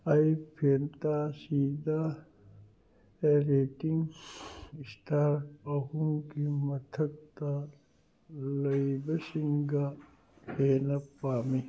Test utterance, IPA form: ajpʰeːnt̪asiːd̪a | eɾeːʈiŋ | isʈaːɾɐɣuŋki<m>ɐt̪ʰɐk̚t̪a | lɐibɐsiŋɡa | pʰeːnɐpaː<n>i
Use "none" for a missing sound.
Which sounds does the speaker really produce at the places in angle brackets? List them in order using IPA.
m, m

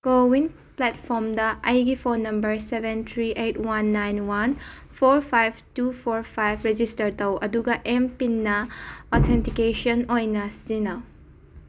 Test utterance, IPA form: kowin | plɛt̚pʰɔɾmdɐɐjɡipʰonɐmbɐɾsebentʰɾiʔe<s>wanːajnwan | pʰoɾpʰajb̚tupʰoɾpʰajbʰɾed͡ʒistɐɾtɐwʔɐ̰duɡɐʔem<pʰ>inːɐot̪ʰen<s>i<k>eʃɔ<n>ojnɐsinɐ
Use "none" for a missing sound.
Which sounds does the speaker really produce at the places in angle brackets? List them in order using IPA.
t, p, t, k, n

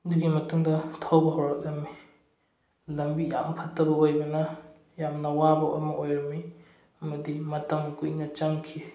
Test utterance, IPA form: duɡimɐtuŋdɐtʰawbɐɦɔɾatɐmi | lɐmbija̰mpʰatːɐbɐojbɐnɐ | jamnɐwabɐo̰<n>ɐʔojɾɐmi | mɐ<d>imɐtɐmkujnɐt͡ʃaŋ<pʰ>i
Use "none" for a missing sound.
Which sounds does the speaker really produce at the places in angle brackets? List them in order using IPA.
m, d, kʰ

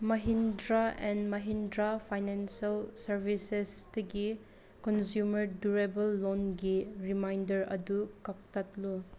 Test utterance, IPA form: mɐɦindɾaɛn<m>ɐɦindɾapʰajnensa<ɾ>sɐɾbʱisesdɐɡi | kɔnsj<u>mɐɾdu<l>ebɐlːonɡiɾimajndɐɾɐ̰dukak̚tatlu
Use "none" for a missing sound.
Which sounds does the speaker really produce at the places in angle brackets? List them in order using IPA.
m, l, u, ɾ

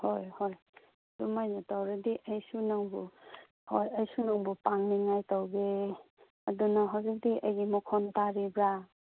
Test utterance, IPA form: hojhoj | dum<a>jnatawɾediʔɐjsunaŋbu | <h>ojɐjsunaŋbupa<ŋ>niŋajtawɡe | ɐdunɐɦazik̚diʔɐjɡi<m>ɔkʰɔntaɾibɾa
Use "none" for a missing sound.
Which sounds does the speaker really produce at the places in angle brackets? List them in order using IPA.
a, h, ŋ, m

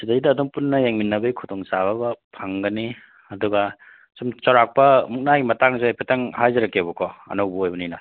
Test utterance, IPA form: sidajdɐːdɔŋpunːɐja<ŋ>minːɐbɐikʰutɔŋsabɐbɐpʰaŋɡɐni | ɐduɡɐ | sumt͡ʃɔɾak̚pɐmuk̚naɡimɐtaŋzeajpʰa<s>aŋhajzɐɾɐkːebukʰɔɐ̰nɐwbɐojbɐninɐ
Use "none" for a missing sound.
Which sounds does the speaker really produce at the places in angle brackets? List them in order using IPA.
ŋ, t

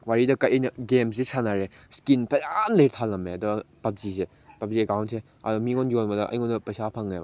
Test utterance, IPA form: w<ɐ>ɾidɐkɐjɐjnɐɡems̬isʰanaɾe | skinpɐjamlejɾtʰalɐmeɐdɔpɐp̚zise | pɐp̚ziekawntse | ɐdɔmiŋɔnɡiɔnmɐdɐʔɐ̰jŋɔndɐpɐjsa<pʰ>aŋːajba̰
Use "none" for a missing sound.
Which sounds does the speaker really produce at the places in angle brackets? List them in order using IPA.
a, pʰ

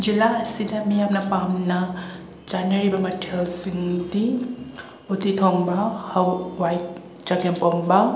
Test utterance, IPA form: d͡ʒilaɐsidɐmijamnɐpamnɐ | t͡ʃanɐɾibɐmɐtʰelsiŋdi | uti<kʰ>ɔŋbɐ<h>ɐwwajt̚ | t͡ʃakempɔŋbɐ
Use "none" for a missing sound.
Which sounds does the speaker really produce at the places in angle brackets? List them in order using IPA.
tʰ, h

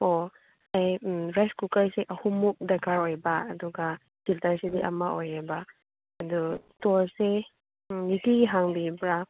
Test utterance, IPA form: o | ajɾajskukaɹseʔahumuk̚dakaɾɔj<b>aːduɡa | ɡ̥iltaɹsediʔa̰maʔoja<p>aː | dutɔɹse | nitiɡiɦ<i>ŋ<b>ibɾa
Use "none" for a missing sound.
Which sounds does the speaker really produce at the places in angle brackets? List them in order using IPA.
b, b, a, b

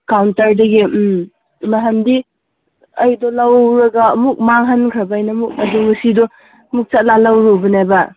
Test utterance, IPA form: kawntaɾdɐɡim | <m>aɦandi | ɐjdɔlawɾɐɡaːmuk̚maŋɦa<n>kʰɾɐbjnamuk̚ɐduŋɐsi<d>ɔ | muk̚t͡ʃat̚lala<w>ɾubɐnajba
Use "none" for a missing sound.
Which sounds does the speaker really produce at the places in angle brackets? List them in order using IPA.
m, n, d, w

